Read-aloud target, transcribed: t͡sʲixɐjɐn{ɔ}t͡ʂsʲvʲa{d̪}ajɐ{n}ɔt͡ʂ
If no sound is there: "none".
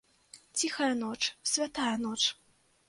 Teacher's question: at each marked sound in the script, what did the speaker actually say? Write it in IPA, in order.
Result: ɔ, t̪, n

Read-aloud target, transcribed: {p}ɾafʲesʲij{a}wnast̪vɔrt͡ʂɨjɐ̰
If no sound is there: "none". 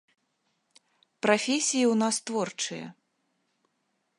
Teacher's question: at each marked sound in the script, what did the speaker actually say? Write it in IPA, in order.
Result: p, i

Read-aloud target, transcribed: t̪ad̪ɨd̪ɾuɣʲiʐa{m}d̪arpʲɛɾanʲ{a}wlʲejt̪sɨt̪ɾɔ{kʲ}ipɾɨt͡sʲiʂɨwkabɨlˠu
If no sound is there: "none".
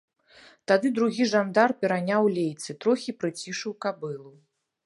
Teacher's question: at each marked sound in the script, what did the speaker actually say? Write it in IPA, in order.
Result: n, a, xʲ

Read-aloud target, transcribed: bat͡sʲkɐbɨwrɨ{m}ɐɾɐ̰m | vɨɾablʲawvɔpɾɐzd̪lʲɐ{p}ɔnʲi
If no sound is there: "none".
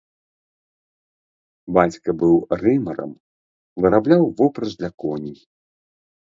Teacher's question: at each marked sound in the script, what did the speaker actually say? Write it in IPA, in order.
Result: m, k

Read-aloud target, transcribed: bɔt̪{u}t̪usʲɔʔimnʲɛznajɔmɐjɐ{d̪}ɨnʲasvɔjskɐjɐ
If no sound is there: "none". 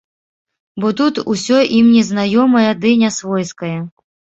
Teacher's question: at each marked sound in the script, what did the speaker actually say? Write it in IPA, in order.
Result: u, d̪

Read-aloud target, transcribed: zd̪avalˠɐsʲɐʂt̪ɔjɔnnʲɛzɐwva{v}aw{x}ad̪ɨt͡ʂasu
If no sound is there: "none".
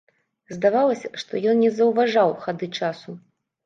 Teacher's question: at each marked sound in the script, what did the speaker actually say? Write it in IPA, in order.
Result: ʐ, x

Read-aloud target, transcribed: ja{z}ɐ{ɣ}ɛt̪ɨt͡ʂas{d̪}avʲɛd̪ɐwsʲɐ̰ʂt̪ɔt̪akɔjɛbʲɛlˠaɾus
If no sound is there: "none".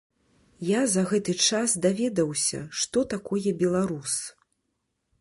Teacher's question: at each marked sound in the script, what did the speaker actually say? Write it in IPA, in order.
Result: z, ɣ, d̪

